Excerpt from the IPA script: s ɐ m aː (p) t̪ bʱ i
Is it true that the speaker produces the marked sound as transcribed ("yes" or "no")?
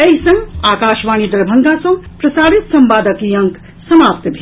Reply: yes